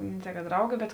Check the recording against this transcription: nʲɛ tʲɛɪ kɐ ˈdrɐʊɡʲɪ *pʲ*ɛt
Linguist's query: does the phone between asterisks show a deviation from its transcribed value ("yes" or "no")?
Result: yes